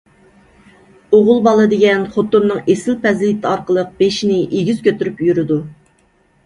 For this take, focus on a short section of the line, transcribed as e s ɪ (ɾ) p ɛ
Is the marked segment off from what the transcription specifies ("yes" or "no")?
yes